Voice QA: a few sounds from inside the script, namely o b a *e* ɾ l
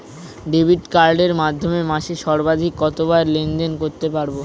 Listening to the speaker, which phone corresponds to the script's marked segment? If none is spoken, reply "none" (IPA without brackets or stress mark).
e